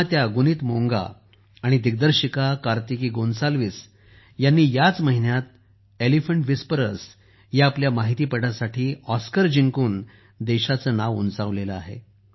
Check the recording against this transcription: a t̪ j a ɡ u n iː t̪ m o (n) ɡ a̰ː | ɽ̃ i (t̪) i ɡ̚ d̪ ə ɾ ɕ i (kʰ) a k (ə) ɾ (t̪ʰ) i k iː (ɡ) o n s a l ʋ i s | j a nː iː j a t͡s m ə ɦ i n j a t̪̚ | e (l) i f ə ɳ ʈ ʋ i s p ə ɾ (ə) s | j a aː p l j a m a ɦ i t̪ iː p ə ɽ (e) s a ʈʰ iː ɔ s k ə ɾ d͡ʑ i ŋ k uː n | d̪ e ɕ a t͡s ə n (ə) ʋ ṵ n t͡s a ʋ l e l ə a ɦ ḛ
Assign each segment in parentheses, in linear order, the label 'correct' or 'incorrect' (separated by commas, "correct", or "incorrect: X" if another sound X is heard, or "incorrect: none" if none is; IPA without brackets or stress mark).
incorrect: ŋ, incorrect: d̪, incorrect: k, incorrect: a, incorrect: t̪, correct, correct, correct, incorrect: a, incorrect: a